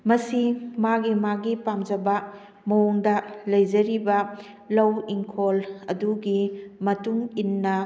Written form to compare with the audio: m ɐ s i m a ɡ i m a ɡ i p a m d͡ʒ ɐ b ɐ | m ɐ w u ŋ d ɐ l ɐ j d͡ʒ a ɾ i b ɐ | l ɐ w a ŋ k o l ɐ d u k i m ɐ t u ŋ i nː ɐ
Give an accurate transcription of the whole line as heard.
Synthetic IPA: m ɐ s i m a ɡ i m a ɡ i p a m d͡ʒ ɐ b ɐ | m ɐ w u ŋ d ɐ l ɐ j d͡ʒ ɐ ɾ i b ɐ | l ɐ w i ŋ kʰ o l ɐ d u ɡ i m ɐ t u ŋ i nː ɐ